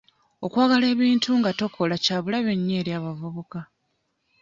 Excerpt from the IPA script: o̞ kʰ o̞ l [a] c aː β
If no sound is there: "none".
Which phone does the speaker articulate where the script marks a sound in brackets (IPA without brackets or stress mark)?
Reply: a